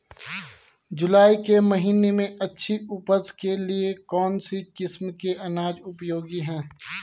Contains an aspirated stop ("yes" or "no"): no